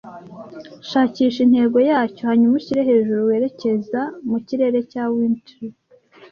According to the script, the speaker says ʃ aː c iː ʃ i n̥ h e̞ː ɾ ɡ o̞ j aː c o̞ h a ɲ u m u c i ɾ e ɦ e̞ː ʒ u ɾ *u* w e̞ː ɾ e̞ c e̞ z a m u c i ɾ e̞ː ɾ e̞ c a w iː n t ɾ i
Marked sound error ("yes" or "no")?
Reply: no